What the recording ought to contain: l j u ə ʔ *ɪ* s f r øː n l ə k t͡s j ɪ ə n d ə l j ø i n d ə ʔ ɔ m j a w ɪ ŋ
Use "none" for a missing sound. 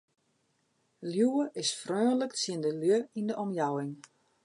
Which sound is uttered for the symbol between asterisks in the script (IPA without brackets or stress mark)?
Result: ɪ